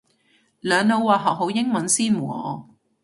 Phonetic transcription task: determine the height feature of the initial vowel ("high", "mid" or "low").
mid